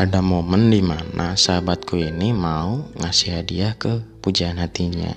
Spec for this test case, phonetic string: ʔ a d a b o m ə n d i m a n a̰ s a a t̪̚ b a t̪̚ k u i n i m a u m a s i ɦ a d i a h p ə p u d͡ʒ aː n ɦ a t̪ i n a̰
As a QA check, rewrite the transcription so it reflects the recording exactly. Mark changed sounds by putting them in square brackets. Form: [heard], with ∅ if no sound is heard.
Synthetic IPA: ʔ a d a [m] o m ə n d i m a n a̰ s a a [∅] b a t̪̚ k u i n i m a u [ŋ] a s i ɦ a d i a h [k] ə p u d͡ʒ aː n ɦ a t̪ i [ɲ] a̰